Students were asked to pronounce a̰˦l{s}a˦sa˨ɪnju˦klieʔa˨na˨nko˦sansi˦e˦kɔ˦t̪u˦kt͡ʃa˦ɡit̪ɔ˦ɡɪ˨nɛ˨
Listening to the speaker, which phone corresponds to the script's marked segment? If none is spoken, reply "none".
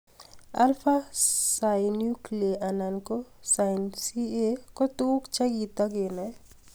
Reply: f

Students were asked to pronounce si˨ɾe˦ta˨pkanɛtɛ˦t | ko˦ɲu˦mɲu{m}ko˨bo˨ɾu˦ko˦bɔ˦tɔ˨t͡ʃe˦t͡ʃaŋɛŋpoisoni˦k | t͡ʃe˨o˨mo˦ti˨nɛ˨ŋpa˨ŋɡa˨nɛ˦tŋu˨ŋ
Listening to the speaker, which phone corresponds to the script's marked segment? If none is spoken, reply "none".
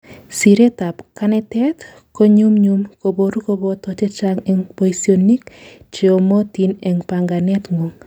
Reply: m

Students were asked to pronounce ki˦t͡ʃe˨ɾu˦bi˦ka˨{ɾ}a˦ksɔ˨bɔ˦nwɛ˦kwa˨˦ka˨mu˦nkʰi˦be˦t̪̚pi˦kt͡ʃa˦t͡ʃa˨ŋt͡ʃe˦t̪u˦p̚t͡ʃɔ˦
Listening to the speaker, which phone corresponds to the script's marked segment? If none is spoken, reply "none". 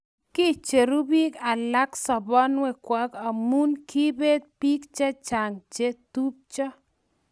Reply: l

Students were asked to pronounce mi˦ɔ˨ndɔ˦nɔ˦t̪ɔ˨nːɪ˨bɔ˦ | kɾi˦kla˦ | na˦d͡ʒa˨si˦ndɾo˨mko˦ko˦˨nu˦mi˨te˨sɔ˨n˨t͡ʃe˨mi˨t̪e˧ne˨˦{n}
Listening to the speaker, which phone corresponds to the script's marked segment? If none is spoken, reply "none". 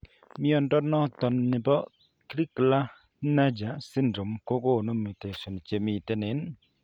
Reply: n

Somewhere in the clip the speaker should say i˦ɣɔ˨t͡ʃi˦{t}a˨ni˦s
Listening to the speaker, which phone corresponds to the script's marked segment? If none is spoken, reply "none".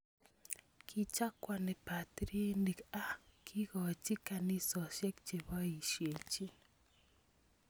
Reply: k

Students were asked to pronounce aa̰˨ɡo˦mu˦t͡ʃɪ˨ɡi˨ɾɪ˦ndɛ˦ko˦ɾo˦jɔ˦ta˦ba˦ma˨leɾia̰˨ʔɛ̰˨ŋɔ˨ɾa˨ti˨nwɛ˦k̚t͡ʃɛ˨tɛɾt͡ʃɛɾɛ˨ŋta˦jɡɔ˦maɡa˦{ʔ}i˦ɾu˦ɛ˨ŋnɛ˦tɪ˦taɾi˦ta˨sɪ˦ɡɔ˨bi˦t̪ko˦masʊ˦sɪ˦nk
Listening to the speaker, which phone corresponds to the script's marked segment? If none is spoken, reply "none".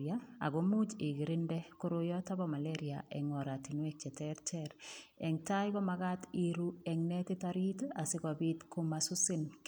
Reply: t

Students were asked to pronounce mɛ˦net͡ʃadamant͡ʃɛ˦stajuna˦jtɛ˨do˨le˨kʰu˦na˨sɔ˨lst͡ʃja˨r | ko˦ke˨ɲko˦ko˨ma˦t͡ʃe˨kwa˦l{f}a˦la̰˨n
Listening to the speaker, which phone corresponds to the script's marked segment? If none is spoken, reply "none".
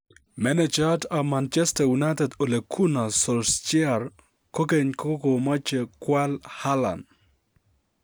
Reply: h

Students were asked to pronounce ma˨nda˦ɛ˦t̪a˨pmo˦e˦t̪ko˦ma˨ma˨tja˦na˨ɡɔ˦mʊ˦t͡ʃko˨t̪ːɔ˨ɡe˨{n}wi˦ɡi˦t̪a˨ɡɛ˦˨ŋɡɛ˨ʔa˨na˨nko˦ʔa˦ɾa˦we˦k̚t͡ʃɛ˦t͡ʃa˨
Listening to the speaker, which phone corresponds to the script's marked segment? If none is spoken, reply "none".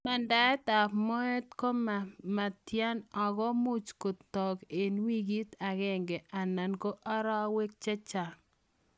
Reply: n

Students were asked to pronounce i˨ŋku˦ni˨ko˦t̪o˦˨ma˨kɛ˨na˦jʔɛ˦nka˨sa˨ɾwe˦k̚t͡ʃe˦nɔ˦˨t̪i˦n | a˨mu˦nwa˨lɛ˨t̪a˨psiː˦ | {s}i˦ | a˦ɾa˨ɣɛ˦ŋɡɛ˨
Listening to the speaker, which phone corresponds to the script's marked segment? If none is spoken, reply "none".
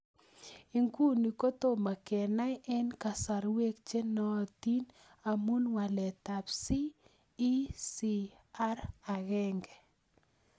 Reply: s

